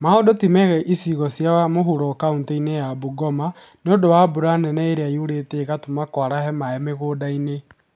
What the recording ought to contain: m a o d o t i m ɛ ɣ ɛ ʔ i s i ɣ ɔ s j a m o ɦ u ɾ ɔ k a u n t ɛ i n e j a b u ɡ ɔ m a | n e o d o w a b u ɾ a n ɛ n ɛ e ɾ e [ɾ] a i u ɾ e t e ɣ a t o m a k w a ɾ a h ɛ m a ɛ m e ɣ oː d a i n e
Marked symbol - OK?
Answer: no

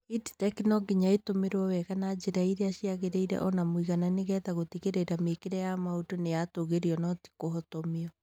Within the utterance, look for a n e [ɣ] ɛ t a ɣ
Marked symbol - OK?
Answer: yes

